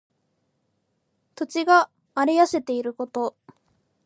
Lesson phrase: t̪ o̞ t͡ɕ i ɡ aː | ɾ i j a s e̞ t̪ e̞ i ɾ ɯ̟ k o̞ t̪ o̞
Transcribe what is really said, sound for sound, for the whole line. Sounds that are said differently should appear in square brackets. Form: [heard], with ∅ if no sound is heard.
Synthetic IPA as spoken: t̪ o̞ t͡ɕ i ɡ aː | ɾ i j a s e̞ t̪ e̞ i ɾ ɯ̟ k o̞ t̪ o̞

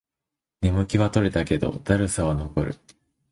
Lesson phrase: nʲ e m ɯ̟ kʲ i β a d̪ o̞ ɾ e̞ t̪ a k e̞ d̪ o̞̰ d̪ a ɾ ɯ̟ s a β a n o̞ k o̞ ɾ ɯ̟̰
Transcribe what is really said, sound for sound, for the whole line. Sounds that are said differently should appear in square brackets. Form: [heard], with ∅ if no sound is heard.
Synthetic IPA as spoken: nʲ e m ɯ̟ kʲ i β a [t̪] o̞ ɾ e̞ t̪ a k e̞ d̪ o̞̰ d̪ a ɾ ɯ̟ s a β a n o̞ k o̞ ɾ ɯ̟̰

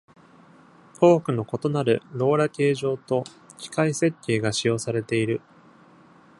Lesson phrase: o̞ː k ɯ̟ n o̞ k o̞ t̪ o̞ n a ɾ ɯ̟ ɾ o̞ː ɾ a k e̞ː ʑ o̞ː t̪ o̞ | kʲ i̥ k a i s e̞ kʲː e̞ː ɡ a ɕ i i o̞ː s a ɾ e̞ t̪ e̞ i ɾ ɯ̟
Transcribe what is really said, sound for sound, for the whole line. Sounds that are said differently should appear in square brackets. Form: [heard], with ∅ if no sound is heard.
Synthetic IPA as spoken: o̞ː k ɯ̟ n o̞ k o̞ t̪ o̞ n a ɾ ɯ̟ ɾ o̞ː ɾ a k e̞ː ʑ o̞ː t̪ o̞ | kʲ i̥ k a i s e̞ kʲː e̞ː ɡ a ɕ i [j] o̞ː s a ɾ e̞ t̪ e̞ i ɾ ɯ̟

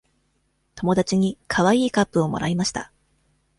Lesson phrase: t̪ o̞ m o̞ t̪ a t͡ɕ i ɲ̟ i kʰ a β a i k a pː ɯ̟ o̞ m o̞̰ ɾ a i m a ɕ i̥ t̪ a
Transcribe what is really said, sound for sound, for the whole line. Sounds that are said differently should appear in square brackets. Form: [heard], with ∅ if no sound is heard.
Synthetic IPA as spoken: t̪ o̞ m o̞ [d̪] a t͡ɕ i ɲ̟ i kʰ a β a [iː] k a pː ɯ̟ o̞ m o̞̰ ɾ a i m a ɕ i̥ t̪ a

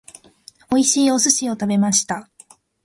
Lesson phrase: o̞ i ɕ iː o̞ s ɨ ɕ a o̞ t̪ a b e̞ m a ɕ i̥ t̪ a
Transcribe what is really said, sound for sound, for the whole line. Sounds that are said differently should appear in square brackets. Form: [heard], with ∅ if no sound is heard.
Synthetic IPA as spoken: o̞ i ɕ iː o̞ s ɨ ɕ [i] o̞ t̪ a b e̞ m a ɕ i̥ t̪ a

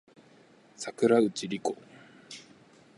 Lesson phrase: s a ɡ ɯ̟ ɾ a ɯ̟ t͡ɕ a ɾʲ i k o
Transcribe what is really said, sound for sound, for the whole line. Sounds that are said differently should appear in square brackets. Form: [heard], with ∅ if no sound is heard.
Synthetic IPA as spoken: s a [k] ɯ̟ ɾ a ɯ̟ t͡ɕ [i] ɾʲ i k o

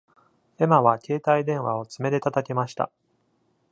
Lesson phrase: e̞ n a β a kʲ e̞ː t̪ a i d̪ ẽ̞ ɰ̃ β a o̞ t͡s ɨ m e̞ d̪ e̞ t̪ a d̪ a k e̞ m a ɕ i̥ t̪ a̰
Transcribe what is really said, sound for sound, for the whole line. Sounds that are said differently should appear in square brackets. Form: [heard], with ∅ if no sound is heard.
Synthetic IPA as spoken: e̞ [m] a β a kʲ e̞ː t̪ a i d̪ ẽ̞ ɰ̃ β a o̞ t͡s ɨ m e̞ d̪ e̞ t̪ a [t̪] a k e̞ m a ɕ i̥ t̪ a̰

